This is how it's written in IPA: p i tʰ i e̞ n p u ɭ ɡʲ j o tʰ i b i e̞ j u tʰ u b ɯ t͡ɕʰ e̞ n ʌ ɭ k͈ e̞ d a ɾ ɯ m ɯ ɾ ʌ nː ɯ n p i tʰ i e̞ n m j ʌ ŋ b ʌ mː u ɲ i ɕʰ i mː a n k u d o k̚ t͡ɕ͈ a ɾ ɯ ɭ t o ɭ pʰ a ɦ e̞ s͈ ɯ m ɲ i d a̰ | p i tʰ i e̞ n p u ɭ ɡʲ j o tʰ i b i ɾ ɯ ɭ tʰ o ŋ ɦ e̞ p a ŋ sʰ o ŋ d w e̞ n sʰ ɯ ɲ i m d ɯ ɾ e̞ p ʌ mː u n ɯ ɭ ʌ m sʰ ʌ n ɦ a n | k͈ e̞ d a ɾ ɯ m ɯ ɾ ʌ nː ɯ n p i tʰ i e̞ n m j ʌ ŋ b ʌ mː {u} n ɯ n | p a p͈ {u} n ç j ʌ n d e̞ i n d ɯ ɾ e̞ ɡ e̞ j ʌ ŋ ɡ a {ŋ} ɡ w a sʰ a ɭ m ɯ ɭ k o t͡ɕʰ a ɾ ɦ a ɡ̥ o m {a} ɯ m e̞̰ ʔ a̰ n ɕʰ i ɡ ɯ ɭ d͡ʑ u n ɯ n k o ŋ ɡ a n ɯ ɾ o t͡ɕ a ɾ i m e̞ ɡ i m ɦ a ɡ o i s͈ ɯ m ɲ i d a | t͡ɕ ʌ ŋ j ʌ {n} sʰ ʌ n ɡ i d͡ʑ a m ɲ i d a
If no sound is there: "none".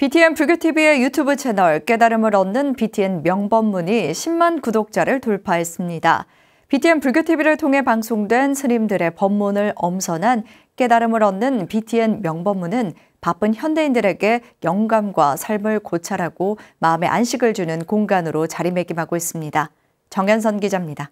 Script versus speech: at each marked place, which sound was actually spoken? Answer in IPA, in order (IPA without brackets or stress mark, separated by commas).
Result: u, ɯ, m, a, n